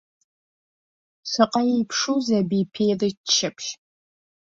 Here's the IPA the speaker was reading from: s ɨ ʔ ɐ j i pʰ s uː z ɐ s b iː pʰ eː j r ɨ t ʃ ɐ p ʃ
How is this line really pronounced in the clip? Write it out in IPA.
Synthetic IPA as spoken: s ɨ q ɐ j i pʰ ʂ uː z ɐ b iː pʰ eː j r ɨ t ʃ ɐ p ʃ